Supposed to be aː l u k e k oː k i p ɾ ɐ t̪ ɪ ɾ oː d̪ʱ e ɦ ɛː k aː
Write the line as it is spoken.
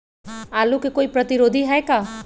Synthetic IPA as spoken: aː l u k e k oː i p ɾ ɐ t̪ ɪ ɾ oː d̪ʱ i ɦ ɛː k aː